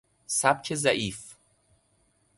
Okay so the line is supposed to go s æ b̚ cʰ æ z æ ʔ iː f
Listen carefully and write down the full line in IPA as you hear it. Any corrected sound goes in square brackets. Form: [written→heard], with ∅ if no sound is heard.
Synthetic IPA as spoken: s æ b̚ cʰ [æ→e] z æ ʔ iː f